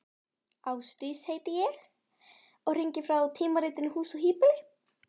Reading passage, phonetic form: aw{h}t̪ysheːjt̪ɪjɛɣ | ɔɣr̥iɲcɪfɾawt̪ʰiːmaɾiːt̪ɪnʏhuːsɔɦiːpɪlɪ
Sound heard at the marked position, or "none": s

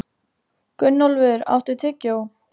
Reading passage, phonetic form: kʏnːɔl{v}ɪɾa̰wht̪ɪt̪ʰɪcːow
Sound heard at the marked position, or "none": v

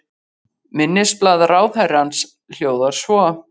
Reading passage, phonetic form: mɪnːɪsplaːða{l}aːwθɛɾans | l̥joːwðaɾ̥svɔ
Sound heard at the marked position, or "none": ɾ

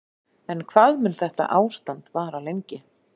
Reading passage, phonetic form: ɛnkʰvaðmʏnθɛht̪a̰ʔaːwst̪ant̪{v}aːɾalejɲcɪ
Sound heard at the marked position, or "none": v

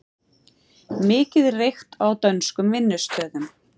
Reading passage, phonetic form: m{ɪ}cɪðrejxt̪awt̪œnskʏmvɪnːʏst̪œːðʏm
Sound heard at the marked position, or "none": ɪː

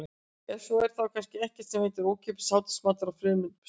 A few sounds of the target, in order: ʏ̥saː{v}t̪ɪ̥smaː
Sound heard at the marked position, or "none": w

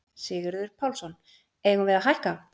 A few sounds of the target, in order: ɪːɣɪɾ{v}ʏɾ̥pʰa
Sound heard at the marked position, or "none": ð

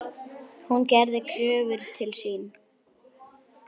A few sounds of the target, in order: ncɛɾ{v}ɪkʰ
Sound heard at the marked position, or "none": ð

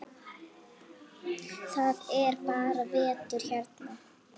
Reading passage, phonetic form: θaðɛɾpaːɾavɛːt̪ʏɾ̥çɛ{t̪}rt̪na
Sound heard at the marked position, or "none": none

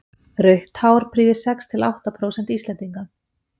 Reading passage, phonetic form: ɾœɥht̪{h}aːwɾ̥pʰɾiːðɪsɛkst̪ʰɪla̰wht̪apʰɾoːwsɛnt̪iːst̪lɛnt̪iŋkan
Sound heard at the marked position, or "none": h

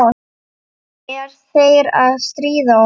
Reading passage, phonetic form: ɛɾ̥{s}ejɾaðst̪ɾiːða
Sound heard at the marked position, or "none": θ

